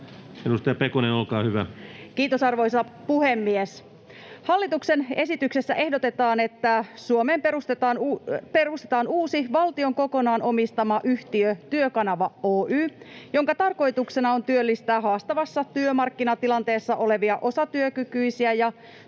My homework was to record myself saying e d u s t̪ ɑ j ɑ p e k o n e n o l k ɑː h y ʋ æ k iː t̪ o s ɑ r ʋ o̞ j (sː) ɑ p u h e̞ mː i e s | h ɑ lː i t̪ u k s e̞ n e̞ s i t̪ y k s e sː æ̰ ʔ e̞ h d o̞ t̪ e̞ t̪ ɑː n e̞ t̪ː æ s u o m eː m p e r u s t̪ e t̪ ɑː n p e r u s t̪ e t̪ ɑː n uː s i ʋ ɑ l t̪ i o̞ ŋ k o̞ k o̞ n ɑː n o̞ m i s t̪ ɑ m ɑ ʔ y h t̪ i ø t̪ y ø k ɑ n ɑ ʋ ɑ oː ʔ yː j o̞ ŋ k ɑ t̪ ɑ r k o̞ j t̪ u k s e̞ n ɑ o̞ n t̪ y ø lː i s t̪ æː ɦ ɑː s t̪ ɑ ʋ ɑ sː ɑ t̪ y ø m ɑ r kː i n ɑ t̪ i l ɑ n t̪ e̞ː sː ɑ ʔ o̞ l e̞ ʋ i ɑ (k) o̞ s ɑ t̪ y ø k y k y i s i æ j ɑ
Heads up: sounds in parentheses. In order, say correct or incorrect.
incorrect, incorrect

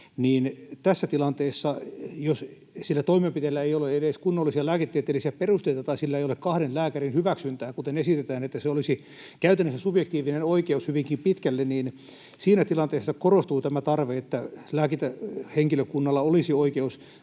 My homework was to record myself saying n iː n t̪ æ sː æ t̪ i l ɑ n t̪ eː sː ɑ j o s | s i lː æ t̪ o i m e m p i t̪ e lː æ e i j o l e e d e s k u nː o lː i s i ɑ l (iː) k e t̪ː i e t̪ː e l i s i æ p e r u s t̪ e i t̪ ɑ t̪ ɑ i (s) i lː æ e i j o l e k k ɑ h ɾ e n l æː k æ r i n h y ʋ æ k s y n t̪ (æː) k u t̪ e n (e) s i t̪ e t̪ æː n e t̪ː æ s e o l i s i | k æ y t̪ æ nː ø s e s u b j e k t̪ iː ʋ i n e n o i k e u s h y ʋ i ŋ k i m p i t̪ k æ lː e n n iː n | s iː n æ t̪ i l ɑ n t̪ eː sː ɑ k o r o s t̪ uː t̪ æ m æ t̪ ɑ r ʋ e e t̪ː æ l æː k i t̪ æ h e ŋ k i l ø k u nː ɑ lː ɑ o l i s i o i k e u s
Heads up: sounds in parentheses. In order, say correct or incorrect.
incorrect, correct, correct, correct

